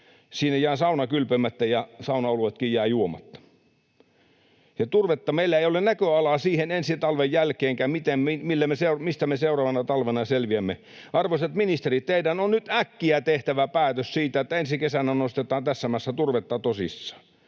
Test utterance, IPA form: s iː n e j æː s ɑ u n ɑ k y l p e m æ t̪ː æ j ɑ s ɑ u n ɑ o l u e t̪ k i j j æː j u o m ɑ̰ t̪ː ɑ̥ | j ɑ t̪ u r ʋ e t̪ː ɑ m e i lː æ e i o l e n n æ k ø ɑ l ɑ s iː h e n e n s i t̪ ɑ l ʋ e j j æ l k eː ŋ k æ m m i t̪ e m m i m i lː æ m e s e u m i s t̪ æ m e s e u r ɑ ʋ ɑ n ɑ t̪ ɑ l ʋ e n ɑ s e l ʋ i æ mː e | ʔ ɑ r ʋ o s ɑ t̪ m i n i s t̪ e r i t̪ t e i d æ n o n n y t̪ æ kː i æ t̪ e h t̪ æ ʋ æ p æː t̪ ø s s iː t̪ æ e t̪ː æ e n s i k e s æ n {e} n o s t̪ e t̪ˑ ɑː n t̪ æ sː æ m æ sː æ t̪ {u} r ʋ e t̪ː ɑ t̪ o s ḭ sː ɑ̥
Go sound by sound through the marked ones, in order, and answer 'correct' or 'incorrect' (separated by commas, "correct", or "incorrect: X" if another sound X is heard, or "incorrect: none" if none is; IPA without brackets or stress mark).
incorrect: æ, correct